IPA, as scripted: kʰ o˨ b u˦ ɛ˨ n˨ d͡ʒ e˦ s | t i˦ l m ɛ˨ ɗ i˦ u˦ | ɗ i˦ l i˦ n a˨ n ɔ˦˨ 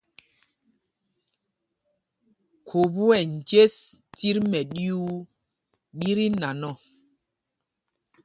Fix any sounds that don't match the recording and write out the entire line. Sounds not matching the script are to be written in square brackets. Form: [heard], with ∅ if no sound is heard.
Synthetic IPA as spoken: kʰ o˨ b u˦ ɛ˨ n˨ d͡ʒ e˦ s | t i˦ [ɾ] m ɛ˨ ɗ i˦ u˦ | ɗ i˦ [ɾ] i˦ n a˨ n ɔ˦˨